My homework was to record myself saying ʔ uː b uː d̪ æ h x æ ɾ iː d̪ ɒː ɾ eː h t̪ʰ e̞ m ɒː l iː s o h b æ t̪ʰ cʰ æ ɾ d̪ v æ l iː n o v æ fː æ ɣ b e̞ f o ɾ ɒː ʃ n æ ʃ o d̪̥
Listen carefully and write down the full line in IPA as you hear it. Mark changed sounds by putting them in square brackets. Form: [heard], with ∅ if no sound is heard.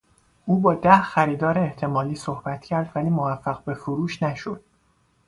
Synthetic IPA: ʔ uː b [ɒː] d̪ æ h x æ ɾ iː d̪ ɒː ɾ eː h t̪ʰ e̞ m ɒː l iː s o h b æ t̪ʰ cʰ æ ɾ d̪ v æ l iː [m] o v æ fː æ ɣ b e̞ f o ɾ [uː] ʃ n æ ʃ o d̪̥